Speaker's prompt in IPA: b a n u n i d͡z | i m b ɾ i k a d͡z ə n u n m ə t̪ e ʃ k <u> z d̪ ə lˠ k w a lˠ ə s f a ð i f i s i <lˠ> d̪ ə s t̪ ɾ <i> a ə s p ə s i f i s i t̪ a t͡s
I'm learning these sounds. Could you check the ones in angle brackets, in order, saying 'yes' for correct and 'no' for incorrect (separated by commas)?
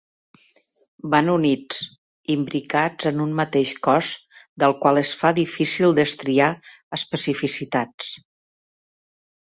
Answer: no, yes, yes